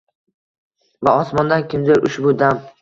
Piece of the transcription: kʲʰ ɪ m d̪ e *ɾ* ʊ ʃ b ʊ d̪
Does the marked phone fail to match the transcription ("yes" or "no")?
no